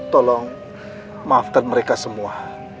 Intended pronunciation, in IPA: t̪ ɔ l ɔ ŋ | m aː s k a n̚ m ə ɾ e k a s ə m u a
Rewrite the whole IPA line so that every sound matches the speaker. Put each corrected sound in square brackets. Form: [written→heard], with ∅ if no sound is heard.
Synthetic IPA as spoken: t̪ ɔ l ɔ ŋ | m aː [s→f] k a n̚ m ə ɾ e k a s ə m u a